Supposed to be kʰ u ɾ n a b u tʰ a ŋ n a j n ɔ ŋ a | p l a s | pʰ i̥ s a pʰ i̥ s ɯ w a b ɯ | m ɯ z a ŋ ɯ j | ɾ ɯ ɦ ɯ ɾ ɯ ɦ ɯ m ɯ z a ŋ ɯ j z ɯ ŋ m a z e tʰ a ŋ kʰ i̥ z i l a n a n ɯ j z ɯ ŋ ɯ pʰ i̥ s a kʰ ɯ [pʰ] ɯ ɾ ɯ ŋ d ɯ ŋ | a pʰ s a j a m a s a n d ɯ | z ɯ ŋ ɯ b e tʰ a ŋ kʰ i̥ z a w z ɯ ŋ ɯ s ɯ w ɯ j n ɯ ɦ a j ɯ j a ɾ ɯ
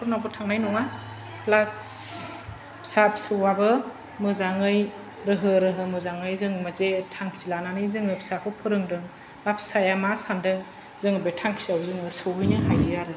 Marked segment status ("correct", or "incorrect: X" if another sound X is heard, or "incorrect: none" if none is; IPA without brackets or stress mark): correct